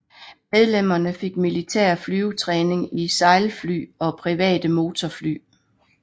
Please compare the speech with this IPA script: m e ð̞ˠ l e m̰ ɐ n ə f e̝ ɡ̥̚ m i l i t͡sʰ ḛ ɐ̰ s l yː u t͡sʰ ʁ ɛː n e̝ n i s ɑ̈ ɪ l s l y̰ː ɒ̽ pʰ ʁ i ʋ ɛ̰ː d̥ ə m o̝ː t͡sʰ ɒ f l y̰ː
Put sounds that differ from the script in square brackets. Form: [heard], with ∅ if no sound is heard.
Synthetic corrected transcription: m e ð̞ˠ l e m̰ ɐ n ə f e̝ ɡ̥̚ m i l i t͡sʰ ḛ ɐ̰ [f] l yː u t͡sʰ ʁ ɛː n e̝ [ŋ] i s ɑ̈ ɪ l [f] l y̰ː ɒ̽ pʰ ʁ i ʋ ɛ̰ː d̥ ə m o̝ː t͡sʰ ɒ f l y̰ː